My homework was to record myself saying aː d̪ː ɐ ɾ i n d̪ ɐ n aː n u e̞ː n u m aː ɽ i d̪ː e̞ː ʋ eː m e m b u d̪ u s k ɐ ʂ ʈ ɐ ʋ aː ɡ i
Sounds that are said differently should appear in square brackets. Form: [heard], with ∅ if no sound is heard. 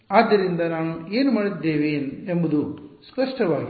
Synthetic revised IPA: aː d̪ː ɐ ɾ i n d̪ ɐ n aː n u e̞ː n u m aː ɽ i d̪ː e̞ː ʋ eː [n] e m b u d̪ u s [p] ɐ ʂ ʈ ɐ ʋ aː ɡ i